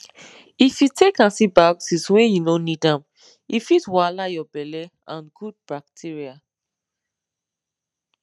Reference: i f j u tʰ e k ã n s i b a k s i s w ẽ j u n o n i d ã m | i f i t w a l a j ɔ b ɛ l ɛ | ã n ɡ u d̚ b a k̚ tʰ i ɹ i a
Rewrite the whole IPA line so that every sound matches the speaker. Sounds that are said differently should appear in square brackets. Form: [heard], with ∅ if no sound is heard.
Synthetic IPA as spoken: i f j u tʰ e k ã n s i b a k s i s w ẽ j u n o n i d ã m | i f i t w a l a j ɔ b ɛ l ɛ | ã n ɡ u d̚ b a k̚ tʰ i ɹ i a